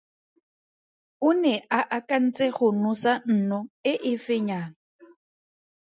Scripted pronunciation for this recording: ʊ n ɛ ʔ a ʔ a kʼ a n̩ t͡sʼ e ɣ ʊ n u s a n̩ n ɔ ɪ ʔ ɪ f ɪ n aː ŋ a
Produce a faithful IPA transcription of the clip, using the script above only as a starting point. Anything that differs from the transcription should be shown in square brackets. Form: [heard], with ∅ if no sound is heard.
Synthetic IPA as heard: ʊ n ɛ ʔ a ʔ a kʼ a n̩ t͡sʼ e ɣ ʊ n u s a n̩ n ɔ ɪ ʔ ɪ f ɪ [ɲ] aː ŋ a